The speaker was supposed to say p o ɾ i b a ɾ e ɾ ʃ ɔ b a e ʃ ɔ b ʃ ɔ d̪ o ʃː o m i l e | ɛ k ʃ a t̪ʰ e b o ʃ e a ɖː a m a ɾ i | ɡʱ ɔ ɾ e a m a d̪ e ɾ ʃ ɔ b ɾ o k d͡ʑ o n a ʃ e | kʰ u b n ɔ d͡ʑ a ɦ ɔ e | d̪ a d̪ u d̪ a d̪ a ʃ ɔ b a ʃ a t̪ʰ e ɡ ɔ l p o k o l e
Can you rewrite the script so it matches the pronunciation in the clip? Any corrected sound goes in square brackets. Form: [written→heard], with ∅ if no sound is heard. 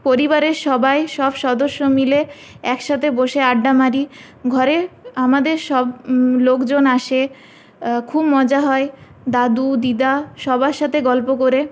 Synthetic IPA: p o ɾ i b a ɾ e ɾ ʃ ɔ b a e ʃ ɔ b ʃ ɔ d̪ o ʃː o m i l e | ɛ k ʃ a t̪ʰ e b o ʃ e a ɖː a m a ɾ i | ɡʱ ɔ ɾ e a m a d̪ e ɾ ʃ ɔ b [ɾ→l] o k d͡ʑ o n a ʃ e | kʰ u b [n→m] ɔ d͡ʑ a ɦ ɔ e | d̪ a d̪ u d̪ [a→i] d̪ a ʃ ɔ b a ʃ a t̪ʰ e ɡ ɔ l p o k o [l→ɾ] e

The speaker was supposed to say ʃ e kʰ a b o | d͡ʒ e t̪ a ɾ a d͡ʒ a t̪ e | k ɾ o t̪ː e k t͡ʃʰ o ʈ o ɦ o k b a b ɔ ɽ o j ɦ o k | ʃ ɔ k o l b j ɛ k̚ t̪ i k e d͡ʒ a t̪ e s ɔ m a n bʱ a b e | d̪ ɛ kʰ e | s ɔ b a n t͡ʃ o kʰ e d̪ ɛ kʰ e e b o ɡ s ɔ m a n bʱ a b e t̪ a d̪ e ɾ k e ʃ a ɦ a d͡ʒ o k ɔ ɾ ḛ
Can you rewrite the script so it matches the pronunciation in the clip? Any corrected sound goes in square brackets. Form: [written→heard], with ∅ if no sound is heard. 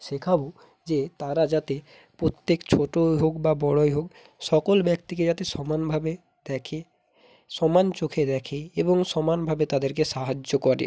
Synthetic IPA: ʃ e kʰ a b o | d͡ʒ e t̪ a ɾ a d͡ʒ a t̪ e | [k→p] ɾ o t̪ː e k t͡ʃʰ o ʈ o ɦ o k b a b ɔ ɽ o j ɦ o k | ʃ ɔ k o l b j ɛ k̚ t̪ i k e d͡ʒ a t̪ e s ɔ m a n bʱ a b e | d̪ ɛ kʰ e | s ɔ [b→m] a n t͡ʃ o kʰ e d̪ ɛ kʰ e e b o [ɡ→ŋ] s ɔ m a n bʱ a b e t̪ a d̪ e ɾ k e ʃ a ɦ a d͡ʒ o k ɔ ɾ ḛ

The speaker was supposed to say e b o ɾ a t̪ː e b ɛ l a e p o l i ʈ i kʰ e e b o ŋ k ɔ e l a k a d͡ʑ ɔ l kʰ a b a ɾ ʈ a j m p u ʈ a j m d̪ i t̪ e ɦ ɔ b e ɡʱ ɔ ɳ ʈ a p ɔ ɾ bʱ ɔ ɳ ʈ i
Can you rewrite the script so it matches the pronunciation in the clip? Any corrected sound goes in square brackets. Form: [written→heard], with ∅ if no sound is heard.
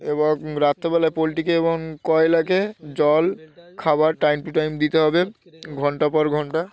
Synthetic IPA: e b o ɾ a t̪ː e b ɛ l a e p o l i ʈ i [kʰ→k] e e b o ŋ k ɔ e l a k [a→e] d͡ʑ ɔ l kʰ a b a ɾ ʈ a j m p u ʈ a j m d̪ i t̪ e ɦ ɔ b e ɡʱ ɔ ɳ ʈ a p ɔ ɾ [bʱ→ɡʱ] ɔ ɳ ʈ [i→a]

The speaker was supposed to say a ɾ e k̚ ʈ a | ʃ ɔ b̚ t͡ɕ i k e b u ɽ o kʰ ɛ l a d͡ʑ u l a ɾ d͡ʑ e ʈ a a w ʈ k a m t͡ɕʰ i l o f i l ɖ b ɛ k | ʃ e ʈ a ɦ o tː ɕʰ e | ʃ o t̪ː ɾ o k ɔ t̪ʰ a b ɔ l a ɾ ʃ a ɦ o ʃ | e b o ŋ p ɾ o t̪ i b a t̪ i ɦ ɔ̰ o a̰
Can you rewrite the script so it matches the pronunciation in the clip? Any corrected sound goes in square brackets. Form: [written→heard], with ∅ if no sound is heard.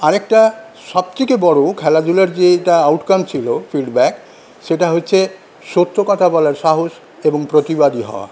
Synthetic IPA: a ɾ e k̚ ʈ a | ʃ ɔ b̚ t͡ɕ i k e b [u→ɔ] ɽ o kʰ ɛ l a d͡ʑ u l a ɾ d͡ʑ e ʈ a a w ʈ k a m t͡ɕʰ i l o f i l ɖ b ɛ k | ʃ e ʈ a ɦ o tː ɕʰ e | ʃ o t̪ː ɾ o k ɔ t̪ʰ a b ɔ l a ɾ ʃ a ɦ o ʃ | e b o ŋ p ɾ o t̪ i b a [t̪→d̪] i ɦ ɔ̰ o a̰

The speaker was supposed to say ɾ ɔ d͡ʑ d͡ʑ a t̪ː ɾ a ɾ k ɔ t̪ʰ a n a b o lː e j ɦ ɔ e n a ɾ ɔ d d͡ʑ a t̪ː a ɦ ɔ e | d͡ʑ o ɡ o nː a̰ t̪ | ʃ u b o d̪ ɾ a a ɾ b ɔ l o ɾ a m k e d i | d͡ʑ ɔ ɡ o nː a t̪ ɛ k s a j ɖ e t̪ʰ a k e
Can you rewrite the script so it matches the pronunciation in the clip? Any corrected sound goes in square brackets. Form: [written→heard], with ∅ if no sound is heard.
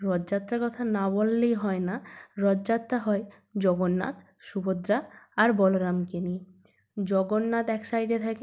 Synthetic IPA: ɾ ɔ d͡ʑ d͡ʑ a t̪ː ɾ a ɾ k ɔ t̪ʰ a n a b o lː e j ɦ ɔ e n a ɾ ɔ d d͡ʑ a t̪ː a ɦ ɔ e | d͡ʑ [o→ɔ] ɡ o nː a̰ t̪ | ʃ u b o d̪ ɾ a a ɾ b ɔ l o ɾ a m k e [d→n] i | d͡ʑ ɔ ɡ o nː a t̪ ɛ k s a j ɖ e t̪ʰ a k e

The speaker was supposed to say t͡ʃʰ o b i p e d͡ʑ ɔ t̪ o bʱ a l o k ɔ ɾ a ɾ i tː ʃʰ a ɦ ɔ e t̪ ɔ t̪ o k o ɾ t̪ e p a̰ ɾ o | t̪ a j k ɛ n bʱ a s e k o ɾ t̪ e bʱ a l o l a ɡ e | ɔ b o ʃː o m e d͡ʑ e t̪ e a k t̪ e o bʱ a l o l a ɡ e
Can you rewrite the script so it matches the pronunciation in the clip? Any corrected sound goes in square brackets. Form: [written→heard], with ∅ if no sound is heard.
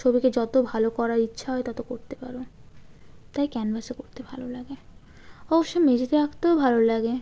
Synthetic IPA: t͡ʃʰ o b i [p→k] e d͡ʑ ɔ t̪ o bʱ a l o k ɔ ɾ a ɾ i tː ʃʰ a ɦ ɔ e t̪ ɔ t̪ o k o ɾ t̪ e p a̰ ɾ o | t̪ a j k ɛ n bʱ a s e k o ɾ t̪ e bʱ a l o l a ɡ e | ɔ b o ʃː o m e d͡ʑ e t̪ e a k t̪ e o bʱ a l o l a ɡ e

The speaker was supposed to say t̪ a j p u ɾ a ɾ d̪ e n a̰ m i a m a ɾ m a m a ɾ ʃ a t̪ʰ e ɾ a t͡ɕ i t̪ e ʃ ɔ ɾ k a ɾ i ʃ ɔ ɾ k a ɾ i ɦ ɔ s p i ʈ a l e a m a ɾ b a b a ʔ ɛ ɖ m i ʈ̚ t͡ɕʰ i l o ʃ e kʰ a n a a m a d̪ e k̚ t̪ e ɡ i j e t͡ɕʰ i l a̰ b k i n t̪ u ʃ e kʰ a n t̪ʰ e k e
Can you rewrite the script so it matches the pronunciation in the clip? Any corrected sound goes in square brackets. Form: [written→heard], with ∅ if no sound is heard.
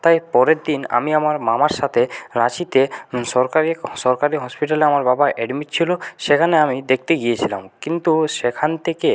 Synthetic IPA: t̪ a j p [u→ɔ] ɾ [a→e] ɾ d̪ [e→i] n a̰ m i a m a ɾ m a m a ɾ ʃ a t̪ʰ e ɾ a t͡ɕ i t̪ e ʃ ɔ ɾ k a ɾ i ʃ ɔ ɾ k a ɾ i ɦ ɔ s p i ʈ a l e a m a ɾ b a b a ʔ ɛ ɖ m i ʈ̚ t͡ɕʰ i l o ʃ e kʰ a n [a→e] a m [a→i] d̪ e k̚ t̪ e ɡ i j e t͡ɕʰ i l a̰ [b→m] k i n t̪ u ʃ e kʰ a n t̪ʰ e k e

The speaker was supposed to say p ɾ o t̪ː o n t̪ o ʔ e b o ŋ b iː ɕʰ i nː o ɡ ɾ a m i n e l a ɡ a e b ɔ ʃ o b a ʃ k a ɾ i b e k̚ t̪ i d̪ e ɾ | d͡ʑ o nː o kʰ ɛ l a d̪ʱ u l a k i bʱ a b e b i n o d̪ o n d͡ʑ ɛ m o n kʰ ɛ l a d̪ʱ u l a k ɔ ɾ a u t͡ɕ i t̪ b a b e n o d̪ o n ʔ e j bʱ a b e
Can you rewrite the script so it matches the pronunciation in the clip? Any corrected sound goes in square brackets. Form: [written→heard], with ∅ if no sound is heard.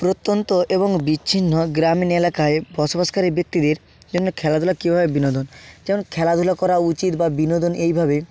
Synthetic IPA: p ɾ o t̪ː o n t̪ o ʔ e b o ŋ b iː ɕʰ i nː o ɡ ɾ a m i n e l a [ɡ→k] a e b ɔ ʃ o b a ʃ k a ɾ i b e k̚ t̪ i d̪ e ɾ | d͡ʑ o nː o kʰ ɛ l a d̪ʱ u l a k i bʱ a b e b i n o d̪ o n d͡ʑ ɛ m o n kʰ ɛ l a d̪ʱ u l a k ɔ ɾ a u t͡ɕ i t̪ b a b [e→i] n o d̪ o n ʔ e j bʱ a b e

